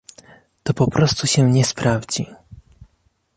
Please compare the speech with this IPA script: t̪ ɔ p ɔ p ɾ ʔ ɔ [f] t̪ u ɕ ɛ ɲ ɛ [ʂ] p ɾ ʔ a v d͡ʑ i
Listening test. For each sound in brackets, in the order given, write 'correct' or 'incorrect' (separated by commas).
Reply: incorrect, incorrect